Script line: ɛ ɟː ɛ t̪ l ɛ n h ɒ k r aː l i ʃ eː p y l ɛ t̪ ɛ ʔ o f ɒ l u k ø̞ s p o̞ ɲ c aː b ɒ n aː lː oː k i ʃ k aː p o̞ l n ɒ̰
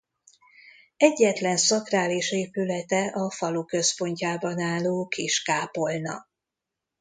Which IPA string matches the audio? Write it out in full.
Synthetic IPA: ɛ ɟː ɛ t̪ l ɛ n s ɒ k r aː l i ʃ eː p y l ɛ t̪ ɛ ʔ ɒ f ɒ l u k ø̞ s p o̞ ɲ c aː b ɒ n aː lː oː k i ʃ k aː p o̞ l n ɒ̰